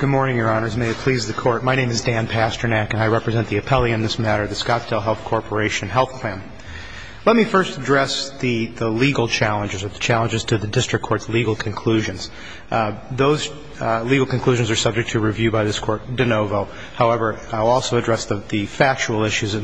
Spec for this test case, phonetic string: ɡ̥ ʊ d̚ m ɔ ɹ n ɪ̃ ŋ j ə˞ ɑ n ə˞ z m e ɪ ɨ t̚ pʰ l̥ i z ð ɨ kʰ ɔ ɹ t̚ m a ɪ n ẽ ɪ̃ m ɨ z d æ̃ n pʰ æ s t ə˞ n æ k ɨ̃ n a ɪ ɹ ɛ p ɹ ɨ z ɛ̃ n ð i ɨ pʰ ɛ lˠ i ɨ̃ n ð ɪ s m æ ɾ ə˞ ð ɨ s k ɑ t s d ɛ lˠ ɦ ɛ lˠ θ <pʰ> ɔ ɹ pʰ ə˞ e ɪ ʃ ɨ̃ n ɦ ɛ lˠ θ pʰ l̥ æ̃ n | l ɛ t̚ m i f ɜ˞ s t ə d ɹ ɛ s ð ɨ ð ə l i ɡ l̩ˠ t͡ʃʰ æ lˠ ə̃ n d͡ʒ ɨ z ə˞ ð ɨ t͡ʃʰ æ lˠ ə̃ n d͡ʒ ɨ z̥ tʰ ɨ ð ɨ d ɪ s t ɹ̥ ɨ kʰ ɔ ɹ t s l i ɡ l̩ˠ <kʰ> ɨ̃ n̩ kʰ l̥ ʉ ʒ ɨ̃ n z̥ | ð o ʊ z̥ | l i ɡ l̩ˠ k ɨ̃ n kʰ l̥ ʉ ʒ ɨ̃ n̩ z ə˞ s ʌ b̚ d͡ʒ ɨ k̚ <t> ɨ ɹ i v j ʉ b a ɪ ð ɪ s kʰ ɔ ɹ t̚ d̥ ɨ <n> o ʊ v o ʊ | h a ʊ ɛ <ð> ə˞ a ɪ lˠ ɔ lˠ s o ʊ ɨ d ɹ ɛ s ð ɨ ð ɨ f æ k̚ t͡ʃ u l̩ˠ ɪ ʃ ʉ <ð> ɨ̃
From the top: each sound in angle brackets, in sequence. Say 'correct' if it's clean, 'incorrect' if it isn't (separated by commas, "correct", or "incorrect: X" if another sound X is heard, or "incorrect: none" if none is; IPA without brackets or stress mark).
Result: incorrect: kʰ, correct, incorrect: tʰ, correct, incorrect: v, incorrect: z